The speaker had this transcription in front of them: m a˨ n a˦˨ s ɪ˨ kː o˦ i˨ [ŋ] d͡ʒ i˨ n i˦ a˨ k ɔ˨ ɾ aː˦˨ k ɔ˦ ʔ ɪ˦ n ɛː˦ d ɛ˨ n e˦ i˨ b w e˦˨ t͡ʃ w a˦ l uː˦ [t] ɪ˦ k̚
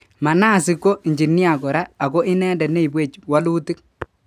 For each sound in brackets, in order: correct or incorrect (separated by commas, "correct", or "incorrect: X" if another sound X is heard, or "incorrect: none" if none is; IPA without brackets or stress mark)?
incorrect: ɲ, correct